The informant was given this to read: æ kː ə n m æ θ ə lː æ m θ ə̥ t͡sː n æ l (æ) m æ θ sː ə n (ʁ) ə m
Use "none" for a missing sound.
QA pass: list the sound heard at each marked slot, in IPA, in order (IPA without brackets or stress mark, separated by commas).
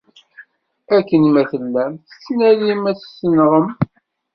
i, ʁ